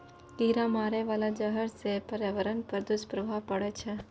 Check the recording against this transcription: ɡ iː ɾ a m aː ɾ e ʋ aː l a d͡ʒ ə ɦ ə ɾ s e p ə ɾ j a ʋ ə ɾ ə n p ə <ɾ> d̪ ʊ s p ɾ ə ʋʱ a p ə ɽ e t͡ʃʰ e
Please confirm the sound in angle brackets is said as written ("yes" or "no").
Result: yes